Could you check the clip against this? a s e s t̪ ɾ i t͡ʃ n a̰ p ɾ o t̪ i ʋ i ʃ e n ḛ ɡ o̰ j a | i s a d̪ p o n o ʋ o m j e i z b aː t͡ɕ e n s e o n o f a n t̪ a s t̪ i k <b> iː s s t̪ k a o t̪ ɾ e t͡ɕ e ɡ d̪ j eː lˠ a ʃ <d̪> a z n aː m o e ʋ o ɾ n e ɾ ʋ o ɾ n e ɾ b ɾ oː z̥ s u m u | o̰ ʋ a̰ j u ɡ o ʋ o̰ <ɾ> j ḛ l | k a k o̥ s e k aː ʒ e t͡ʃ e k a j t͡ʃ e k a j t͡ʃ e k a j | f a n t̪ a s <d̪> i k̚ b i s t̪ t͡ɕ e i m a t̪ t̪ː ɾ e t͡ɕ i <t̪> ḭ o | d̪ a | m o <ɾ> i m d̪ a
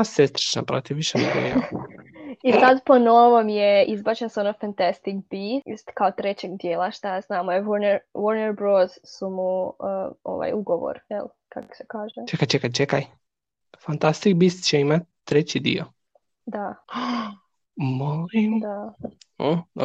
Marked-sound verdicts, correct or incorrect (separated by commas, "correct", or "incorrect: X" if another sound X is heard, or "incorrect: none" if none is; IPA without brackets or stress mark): correct, incorrect: t̪, correct, incorrect: t̪, incorrect: d̪, incorrect: l